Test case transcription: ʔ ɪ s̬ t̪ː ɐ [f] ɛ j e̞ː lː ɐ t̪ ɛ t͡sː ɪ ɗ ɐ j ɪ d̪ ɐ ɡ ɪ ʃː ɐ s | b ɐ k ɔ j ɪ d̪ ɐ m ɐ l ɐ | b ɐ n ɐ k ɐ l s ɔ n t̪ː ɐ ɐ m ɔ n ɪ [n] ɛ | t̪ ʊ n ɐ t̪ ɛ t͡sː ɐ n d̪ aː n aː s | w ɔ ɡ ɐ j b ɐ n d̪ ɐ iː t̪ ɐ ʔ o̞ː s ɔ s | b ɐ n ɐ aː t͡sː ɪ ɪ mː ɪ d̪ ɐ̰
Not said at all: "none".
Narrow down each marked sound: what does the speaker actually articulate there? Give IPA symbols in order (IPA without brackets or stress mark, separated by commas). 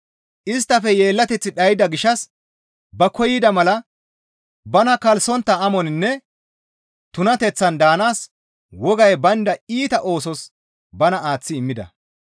f, nː